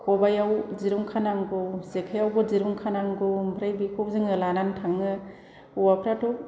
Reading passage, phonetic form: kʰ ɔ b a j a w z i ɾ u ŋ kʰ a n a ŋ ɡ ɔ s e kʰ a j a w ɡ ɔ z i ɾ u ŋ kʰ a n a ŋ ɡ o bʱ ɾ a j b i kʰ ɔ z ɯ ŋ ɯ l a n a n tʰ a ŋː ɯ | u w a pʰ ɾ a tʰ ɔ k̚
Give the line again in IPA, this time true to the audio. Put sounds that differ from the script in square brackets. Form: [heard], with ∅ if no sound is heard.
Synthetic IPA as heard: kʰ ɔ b a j a w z i ɾ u ŋ kʰ a n a ŋ ɡ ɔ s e kʰ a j a w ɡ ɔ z i ɾ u ŋ kʰ a n a ŋ ɡ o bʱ ɾ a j b i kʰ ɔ z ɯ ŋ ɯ l a n a n tʰ a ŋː ɯ | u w a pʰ ɾ a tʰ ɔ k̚